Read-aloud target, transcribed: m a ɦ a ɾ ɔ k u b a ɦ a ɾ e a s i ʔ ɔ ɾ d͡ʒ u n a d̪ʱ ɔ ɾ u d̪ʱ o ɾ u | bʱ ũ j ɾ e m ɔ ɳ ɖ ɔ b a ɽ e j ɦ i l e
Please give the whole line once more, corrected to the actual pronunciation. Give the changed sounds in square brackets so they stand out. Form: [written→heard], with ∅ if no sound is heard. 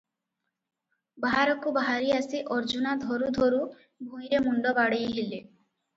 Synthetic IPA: [m→b] a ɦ a ɾ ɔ k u b a ɦ a ɾ [e→i] a s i ʔ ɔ ɾ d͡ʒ u n a d̪ʱ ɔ ɾ u d̪ʱ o ɾ u | bʱ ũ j ɾ e m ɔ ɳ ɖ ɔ b a ɽ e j ɦ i l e